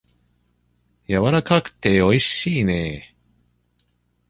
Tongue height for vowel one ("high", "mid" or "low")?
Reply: low